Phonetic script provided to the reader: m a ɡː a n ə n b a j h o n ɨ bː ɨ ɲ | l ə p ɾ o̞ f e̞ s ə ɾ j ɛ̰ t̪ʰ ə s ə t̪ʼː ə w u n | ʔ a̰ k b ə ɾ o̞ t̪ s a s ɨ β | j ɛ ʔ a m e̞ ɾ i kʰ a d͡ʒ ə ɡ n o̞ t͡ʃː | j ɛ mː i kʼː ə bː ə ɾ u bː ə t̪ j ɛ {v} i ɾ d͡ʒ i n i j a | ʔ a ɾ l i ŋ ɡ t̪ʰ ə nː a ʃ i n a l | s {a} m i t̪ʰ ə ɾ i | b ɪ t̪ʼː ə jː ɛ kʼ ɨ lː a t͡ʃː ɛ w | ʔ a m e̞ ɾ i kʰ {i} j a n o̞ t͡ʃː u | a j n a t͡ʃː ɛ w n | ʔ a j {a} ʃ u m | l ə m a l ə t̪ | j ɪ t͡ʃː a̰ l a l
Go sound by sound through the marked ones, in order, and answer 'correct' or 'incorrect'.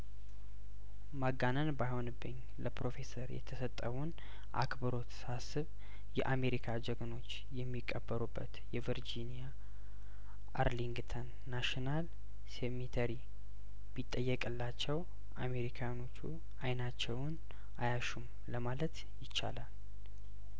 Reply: correct, incorrect: e, incorrect: a, correct

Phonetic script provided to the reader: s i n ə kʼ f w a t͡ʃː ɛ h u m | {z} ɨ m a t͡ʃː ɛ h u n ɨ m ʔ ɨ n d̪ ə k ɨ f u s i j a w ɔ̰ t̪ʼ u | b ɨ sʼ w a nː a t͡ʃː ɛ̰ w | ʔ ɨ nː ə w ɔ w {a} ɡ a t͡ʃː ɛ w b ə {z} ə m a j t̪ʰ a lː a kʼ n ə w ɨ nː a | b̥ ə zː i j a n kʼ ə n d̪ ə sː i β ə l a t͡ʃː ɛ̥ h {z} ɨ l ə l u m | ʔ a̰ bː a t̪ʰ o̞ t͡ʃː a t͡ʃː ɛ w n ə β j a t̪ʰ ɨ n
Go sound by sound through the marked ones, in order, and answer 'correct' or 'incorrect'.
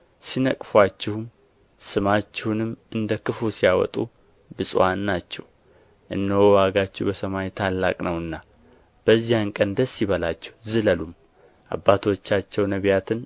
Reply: incorrect: s, correct, incorrect: s, correct

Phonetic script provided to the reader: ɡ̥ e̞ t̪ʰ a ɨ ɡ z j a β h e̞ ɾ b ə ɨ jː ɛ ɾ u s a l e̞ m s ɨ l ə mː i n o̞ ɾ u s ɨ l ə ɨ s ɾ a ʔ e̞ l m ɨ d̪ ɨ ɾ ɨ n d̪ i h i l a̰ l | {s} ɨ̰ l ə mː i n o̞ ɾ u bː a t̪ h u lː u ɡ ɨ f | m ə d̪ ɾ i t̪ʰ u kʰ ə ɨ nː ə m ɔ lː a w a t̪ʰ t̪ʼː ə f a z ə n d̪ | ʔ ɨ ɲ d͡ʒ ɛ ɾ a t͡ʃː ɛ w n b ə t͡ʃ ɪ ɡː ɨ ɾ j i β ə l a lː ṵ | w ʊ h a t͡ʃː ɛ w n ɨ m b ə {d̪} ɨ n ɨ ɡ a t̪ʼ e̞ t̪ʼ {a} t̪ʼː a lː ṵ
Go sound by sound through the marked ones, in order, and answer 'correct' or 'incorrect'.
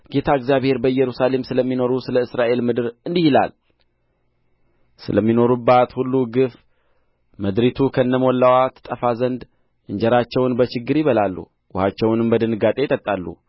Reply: correct, correct, incorrect: ə

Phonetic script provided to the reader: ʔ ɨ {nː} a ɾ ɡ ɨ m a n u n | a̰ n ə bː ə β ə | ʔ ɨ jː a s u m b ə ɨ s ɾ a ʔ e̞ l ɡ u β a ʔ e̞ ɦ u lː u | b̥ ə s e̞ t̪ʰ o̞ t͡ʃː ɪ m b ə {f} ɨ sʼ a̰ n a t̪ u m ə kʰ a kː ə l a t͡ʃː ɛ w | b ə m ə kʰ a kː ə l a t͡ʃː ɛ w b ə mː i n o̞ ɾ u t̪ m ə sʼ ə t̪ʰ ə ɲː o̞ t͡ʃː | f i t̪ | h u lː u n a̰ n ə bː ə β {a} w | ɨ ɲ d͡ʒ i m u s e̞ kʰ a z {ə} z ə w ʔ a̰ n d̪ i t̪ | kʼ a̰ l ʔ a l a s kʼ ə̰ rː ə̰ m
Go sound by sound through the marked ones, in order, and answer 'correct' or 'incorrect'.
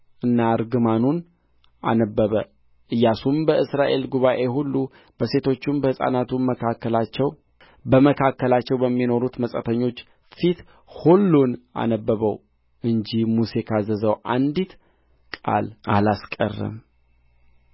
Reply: correct, incorrect: h, incorrect: ə, correct

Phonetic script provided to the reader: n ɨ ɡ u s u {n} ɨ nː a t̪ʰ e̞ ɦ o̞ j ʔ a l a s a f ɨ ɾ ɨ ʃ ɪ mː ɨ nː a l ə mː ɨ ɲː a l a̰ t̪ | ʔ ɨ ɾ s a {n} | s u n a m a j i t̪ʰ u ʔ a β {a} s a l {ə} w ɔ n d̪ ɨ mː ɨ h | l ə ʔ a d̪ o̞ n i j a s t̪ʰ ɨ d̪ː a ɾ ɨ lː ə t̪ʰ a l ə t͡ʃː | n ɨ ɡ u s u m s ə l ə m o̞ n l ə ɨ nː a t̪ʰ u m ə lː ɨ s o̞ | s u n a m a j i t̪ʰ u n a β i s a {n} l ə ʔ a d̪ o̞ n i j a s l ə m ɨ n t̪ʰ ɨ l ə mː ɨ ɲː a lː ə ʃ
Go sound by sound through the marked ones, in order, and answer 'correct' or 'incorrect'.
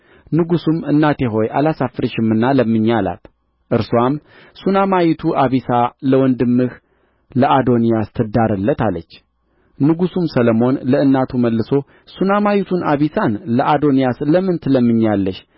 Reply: incorrect: m, incorrect: m, incorrect: i, correct, correct

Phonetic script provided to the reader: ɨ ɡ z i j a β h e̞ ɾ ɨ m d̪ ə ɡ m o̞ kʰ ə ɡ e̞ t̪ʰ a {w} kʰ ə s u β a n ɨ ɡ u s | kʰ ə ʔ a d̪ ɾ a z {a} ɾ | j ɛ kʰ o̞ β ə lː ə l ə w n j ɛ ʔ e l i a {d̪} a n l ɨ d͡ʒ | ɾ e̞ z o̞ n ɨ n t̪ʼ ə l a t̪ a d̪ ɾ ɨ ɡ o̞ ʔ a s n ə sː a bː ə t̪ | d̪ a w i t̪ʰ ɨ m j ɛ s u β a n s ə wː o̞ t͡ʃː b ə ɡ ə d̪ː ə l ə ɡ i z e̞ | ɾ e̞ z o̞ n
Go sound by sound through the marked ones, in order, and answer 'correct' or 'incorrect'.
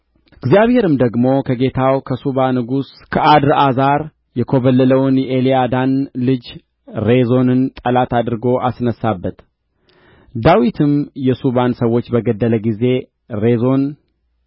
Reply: correct, correct, correct

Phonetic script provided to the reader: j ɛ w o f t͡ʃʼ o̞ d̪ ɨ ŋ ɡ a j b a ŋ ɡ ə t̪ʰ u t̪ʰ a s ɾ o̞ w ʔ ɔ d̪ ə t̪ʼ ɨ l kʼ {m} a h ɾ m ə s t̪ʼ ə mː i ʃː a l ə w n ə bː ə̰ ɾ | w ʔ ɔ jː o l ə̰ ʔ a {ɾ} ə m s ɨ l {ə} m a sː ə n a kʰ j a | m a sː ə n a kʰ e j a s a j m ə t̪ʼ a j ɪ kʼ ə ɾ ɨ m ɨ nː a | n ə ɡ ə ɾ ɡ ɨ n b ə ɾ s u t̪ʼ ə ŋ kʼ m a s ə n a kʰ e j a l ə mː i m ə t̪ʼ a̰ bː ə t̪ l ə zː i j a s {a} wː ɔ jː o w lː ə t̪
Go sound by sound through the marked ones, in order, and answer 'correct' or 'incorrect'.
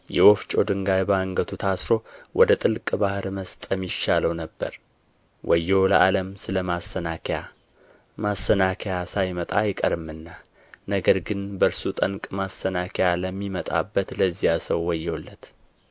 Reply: incorrect: b, incorrect: l, correct, incorrect: ə

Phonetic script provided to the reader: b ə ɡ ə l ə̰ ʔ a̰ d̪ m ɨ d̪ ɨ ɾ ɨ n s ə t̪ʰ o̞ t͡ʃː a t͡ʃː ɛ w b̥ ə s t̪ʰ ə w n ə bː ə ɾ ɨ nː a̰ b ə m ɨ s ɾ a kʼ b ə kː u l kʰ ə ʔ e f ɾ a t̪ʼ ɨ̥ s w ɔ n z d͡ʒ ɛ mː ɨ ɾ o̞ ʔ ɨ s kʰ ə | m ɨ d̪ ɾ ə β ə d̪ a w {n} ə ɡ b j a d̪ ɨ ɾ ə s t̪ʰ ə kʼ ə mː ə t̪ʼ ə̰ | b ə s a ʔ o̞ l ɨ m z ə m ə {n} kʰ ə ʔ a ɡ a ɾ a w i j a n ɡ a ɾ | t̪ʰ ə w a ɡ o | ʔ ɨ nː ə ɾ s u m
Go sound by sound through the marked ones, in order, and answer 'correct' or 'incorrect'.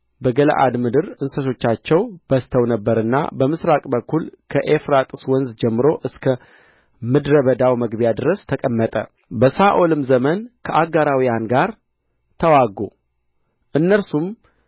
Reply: incorrect: m, correct

